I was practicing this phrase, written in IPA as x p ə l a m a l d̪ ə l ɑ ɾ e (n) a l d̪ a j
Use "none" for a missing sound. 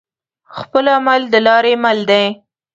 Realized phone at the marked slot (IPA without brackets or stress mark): m